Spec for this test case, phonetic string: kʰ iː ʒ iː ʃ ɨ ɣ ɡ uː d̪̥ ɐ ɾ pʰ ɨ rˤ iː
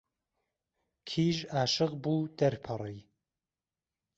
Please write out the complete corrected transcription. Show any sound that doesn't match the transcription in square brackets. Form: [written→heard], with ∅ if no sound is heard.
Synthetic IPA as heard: kʰ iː ʒ [iː→aː] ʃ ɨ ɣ [ɡ→b] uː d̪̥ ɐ ɾ pʰ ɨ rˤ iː